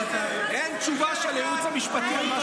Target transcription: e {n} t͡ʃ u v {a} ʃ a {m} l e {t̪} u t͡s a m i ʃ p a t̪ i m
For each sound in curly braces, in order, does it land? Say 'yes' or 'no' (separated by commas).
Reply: yes, yes, no, no